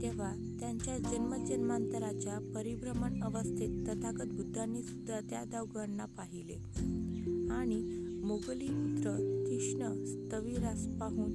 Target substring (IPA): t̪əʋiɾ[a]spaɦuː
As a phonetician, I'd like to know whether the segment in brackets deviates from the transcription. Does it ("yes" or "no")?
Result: no